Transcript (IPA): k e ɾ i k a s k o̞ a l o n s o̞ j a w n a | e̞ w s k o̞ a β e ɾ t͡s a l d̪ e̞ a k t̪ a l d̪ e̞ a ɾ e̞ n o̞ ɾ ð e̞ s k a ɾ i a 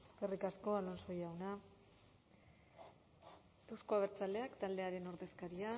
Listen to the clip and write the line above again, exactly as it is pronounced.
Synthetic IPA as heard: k e r i k a s k o̞ a l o n s o̞ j a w n a | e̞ w s k o̞ a β e ɾ t͡s a l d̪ e̞ a k t̪ a l d̪ e̞ a ɾ e̞ n o̞ ɾ ð e̞ s k a ɾ i a